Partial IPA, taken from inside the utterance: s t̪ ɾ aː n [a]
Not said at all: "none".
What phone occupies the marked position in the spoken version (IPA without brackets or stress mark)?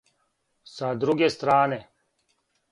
e